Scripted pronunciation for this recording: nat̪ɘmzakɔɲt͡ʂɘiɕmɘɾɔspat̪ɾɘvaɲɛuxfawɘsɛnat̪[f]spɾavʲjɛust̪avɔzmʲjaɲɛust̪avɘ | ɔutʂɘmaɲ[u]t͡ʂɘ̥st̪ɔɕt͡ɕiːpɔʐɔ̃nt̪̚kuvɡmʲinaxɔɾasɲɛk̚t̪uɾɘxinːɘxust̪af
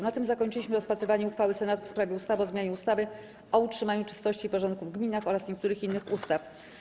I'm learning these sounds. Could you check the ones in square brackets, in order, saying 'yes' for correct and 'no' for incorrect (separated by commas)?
yes, yes